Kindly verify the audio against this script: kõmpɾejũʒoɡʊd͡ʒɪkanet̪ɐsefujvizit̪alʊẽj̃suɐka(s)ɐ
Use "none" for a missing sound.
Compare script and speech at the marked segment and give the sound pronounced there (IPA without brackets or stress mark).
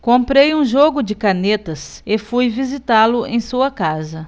z